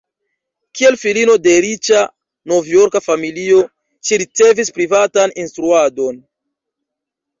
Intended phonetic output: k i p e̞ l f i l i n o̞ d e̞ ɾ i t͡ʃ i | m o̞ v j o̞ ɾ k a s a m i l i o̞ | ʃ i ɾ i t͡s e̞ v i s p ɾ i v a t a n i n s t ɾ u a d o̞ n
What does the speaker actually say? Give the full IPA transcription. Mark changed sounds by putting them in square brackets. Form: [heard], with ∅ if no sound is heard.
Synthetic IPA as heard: k i [∅] e̞ l f i l i n o̞ d e̞ ɾ i t͡ʃ [a] | [n] o̞ v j o̞ ɾ k a [f] a m i l i o̞ | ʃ i ɾ i t͡s e̞ v i s p ɾ i v a t a n i n s t ɾ u a d o̞ n

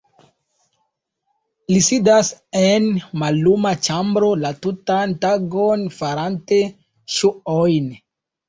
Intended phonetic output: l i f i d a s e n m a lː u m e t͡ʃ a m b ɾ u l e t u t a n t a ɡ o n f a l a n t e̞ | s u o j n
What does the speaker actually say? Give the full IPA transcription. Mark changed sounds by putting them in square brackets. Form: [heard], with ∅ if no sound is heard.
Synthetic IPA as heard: l i [s] i d a s e n m a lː u m [a] t͡ʃ a m b ɾ [o] l [a] t u t a n t a ɡ o n f a [ɾ] a n t e̞ | [ʃ] u o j n

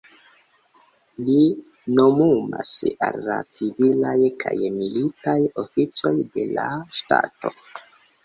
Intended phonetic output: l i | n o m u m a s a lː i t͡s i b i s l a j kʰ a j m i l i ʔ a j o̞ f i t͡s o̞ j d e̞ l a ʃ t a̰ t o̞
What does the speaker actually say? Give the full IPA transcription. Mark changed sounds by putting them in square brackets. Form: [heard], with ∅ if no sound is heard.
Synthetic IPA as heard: l i | n o m u m a s a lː [a] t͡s i [v] i [∅] l a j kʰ a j m i l i [t] a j o̞ f i t͡s o̞ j d e̞ l a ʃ t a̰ t o̞

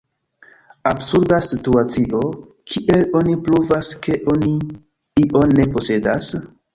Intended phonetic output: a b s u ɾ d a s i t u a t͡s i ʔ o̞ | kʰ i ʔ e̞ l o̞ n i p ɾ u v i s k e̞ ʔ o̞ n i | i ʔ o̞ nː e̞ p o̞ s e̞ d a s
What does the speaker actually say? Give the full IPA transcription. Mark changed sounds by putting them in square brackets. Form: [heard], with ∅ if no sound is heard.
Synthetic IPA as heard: a b s u ɾ d a s i t u a t͡s i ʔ o̞ | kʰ i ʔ e̞ l o̞ n i p ɾ u v [a] s k e̞ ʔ o̞ n i | i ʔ o̞ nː e̞ p o̞ s e̞ d a s

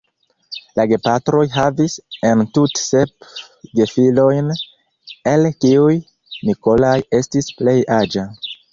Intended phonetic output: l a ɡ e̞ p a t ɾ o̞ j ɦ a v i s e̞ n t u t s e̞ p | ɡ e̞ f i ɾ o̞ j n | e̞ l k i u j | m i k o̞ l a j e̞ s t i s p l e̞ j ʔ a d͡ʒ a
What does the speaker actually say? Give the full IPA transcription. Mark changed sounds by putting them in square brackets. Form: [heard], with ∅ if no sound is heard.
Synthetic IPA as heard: l a ɡ e̞ p a t ɾ o̞ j ɦ a v i s e̞ n t u t s e̞ p | ɡ e̞ f i [l] o̞ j n | e̞ l k i u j | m i k o̞ l a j e̞ s t i s p l e̞ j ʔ a d͡ʒ a

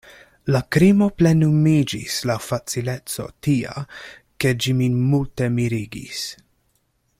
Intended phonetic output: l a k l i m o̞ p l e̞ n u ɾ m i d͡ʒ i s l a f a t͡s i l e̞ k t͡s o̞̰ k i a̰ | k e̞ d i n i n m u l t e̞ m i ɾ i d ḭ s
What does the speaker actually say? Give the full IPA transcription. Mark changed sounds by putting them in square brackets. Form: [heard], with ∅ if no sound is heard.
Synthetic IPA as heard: l a k [ɾ] i m o̞ p l e̞ n u [∅] m i d͡ʒ i s l a f a t͡s i l e̞ [∅] t͡s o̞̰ [t] i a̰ | k e̞ [d͡ʒ] i [m] i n m u l t e̞ m i ɾ i [ɡ] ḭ s

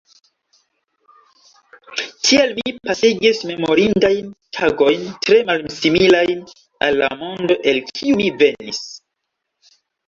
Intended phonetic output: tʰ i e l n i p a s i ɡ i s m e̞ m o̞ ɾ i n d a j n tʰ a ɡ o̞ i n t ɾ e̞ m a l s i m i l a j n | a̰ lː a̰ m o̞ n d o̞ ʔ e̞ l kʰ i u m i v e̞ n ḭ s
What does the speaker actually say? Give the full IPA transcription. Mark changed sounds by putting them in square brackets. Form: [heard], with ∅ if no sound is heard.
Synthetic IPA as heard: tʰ i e l [m] i p a s i ɡ i s m e̞ m o̞ ɾ i n d a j n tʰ a ɡ o̞ [j] n t ɾ e̞ m a l s i m i l a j n | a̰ lː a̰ m o̞ n d o̞ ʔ e̞ l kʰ i u m i v e̞ n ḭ s

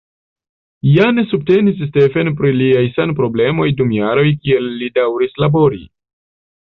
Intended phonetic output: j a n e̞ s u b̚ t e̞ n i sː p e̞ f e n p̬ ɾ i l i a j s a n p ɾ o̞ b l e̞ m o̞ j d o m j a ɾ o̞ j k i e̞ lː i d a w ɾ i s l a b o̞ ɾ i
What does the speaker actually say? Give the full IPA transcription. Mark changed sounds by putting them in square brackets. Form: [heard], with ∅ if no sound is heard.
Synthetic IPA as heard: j a n e̞ s u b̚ t e̞ n i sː [t] e̞ f e n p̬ ɾ i l i a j s a n p ɾ o̞ b l e̞ m o̞ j d [u] m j a ɾ o̞ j k i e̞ lː i d a w ɾ i s l a b o̞ ɾ i

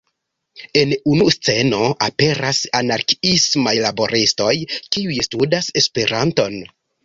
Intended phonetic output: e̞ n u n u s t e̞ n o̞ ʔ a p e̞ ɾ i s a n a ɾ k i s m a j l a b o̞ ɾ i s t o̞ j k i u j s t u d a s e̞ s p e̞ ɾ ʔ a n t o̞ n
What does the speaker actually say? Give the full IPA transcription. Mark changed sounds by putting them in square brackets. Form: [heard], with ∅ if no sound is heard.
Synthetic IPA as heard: e̞ n u n u s [t͡s] e̞ n o̞ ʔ a p e̞ ɾ [a] s a n a ɾ k i s m a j l a b o̞ ɾ i s t o̞ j k i u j s t u d a s e̞ s p e̞ ɾ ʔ a n t o̞ n

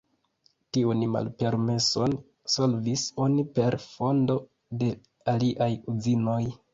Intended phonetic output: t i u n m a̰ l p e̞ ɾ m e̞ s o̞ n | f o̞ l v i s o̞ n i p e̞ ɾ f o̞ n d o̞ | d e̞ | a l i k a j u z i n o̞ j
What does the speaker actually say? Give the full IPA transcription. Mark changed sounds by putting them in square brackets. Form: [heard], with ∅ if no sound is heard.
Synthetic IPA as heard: t i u n m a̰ l p e̞ ɾ m e̞ s o̞ n | [s] o̞ l v i s o̞ n i p e̞ ɾ f o̞ n d o̞ | d e̞ | a l i [ʔ] a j u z i n o̞ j

